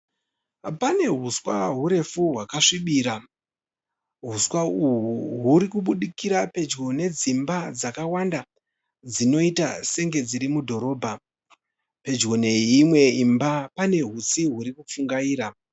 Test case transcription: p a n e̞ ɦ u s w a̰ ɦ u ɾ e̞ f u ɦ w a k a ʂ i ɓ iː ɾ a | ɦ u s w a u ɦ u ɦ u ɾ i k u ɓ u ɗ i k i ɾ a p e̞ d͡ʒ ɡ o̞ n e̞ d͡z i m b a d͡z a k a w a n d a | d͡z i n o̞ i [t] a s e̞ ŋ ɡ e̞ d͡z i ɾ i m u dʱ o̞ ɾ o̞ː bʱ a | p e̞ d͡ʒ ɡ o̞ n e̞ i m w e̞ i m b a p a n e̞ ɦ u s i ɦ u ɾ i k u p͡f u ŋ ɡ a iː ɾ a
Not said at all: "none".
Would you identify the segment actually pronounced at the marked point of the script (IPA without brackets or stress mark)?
t